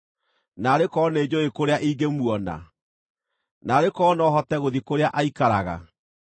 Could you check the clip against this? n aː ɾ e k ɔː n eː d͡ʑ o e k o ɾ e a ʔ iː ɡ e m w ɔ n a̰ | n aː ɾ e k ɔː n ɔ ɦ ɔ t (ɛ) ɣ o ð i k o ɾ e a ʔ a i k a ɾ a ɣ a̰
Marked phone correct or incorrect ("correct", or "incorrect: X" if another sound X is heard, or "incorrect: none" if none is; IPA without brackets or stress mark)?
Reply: correct